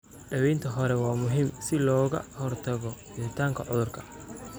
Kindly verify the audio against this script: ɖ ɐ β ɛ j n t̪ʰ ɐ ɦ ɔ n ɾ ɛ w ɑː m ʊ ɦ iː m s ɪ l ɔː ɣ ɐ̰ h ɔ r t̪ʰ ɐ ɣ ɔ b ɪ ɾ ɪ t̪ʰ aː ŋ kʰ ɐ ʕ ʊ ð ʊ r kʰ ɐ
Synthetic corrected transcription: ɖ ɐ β ɛ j n t̪ʰ ɐ ɦ ɔ ɾ ɛ w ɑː m ʊ ɦ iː m s ɪ l ɔː ɣ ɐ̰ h ɔ r t̪ʰ ɐ ɣ ɔ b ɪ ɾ ɪ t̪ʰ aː ŋ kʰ ɐ ʕ ʊ ð ʊ r kʰ ɐ